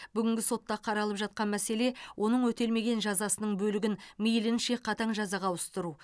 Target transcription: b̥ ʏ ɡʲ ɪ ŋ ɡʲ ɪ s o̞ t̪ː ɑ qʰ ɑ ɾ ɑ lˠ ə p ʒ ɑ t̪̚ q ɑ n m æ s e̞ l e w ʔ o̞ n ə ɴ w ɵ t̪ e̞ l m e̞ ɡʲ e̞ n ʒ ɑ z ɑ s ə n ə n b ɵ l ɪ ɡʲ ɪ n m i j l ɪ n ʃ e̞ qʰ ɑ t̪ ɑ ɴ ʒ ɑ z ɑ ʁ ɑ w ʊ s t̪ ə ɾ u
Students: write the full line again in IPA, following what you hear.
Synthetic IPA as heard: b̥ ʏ ɡʲ ɪ ŋ ɡʲ ɪ s o̞ t̪ː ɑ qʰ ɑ ɾ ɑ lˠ ə p ʒ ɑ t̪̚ q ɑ n m æ s e̞ l e w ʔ o̞ n ə ɴ w ɵ t̪ e̞ l m e̞ ɡʲ e̞ n ʒ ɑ z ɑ s ə n ə ɴ b ɵ l ɪ ɡʲ ɪ n m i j l ɪ n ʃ e̞ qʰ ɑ t̪ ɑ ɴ ʒ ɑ z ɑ ʁ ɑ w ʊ s t̪ ə ɾ u